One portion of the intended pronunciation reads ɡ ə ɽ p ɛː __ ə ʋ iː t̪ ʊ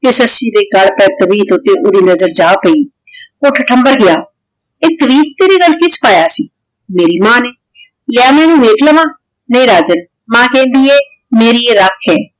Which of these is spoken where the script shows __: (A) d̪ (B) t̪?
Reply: B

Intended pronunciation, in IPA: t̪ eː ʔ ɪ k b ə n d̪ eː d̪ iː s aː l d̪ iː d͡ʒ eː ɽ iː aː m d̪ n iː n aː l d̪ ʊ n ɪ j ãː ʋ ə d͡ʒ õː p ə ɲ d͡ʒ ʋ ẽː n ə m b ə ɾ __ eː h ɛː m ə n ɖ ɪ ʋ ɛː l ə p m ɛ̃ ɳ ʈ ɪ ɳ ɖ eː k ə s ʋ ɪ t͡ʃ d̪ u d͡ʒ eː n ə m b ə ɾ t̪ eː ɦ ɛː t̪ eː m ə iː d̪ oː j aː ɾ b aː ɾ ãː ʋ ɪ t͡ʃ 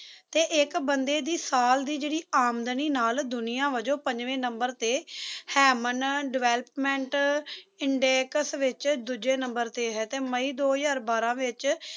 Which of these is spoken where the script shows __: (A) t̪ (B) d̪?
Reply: A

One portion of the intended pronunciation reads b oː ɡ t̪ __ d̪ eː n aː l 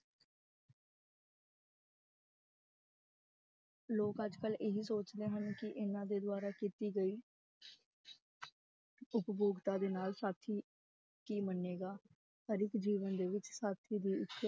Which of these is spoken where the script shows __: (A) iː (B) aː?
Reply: B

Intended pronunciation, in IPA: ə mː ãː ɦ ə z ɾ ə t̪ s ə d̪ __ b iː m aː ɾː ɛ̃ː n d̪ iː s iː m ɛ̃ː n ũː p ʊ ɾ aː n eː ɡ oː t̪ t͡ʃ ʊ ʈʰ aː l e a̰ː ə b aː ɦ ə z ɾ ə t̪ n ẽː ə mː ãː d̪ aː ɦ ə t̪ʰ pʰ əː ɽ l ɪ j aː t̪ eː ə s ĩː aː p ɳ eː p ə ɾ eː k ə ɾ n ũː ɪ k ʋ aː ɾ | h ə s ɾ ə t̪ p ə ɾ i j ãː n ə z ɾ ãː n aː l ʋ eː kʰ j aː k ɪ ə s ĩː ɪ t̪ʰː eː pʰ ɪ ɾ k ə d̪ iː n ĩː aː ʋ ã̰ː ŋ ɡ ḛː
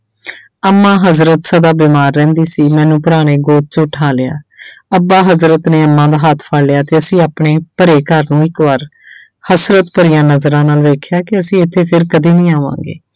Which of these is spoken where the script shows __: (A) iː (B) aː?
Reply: B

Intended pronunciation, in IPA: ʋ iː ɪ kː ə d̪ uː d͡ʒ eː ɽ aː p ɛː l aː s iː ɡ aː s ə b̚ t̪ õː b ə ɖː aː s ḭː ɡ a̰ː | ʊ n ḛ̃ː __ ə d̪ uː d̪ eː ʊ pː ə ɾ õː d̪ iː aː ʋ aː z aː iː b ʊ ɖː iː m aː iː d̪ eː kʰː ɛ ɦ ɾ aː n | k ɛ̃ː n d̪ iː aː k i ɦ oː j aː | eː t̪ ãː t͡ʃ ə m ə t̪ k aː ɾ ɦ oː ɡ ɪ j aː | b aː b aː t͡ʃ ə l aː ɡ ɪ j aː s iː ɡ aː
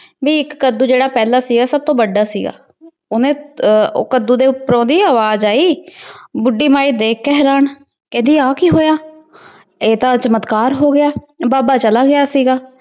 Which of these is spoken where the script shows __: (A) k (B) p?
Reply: A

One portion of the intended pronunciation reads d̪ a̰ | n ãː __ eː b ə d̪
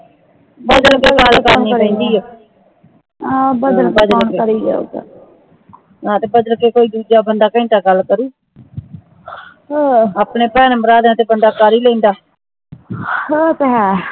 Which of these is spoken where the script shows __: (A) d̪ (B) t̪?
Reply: B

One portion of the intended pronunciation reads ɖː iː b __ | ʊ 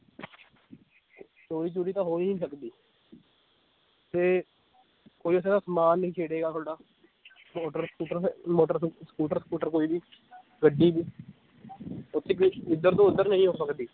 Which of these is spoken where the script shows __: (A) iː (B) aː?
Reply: A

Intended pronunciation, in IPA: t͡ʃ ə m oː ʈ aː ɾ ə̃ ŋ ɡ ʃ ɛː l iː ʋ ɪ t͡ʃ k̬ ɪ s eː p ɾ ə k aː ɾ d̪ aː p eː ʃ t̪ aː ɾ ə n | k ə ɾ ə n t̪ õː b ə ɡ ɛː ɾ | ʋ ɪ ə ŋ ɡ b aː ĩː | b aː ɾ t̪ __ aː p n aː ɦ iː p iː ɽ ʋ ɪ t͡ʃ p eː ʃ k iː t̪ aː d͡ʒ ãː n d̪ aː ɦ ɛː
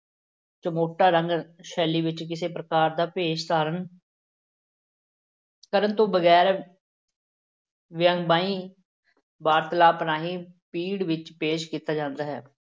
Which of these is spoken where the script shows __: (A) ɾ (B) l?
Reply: B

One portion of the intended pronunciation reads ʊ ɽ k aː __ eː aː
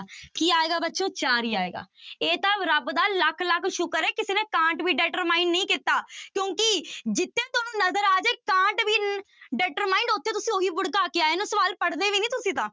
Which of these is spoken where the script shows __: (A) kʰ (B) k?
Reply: B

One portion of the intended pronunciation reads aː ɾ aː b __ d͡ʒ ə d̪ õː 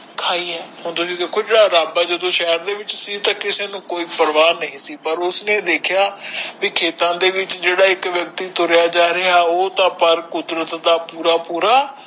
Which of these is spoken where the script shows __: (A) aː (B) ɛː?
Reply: A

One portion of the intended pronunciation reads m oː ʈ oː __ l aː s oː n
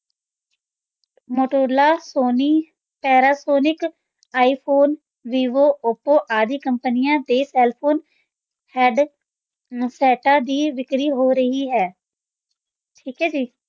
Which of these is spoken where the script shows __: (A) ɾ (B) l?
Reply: A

